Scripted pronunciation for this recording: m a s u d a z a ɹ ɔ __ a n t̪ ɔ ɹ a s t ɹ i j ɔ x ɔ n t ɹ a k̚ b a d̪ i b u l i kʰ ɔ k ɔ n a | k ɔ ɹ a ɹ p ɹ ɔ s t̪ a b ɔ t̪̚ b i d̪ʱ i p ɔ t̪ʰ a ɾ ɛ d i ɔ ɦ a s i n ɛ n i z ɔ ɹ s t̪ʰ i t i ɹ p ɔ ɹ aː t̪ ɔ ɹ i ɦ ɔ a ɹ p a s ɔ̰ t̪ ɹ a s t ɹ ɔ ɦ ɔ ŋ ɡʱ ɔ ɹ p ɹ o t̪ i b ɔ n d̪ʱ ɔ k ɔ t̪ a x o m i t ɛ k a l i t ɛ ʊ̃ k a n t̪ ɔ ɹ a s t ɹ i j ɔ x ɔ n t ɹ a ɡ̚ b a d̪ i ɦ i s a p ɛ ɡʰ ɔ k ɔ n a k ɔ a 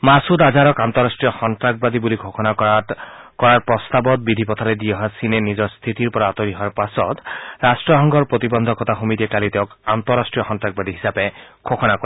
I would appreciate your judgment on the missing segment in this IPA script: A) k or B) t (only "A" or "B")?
A